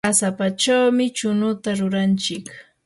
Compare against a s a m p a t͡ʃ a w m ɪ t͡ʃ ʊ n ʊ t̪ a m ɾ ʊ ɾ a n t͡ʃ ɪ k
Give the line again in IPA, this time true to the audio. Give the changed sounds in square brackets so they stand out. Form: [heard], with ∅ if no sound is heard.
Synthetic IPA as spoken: a s a [∅] p a t͡ʃ a w m ɪ t͡ʃ ʊ n ʊ t̪ a [∅] ɾ ʊ ɾ a n t͡ʃ ɪ k